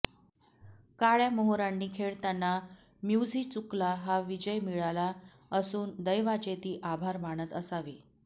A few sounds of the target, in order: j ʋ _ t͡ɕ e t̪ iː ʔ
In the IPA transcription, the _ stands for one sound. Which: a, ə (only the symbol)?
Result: a